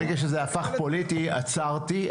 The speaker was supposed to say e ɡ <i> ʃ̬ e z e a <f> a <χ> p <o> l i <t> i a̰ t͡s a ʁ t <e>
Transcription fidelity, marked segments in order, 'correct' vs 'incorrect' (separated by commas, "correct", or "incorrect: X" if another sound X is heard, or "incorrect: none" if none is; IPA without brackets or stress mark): incorrect: a, correct, correct, correct, correct, incorrect: i